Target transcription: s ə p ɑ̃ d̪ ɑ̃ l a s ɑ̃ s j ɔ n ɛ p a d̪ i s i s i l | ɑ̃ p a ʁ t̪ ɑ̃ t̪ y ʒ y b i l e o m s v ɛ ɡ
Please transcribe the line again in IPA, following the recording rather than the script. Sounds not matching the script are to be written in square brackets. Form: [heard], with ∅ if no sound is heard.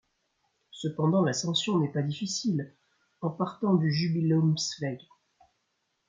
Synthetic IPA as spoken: s ə p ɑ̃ d̪ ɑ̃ l a s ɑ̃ s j [ɔ̃] n ɛ p a d̪ i [f] i s i l | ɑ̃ p a ʁ t̪ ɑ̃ [d̪] y ʒ y b i l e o m s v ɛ ɡ